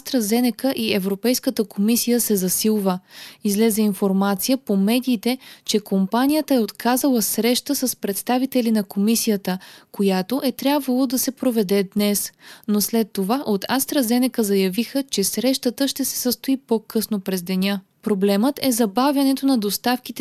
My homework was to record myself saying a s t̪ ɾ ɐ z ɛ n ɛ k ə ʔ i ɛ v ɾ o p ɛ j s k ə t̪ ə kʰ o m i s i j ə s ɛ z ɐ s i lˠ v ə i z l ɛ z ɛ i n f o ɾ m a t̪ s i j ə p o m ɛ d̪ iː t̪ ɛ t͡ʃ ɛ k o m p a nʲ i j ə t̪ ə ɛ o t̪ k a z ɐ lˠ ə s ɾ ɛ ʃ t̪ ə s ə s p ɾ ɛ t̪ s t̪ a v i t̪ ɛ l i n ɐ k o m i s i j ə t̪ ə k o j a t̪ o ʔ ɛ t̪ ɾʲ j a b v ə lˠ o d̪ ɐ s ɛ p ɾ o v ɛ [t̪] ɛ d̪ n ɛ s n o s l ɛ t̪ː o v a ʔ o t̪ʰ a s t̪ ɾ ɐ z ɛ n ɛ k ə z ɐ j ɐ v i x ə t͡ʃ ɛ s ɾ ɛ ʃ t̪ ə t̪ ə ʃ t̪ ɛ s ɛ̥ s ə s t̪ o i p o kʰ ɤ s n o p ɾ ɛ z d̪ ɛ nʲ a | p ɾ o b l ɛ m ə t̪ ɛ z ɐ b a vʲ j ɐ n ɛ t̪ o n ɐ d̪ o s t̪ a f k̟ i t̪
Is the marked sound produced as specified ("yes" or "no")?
no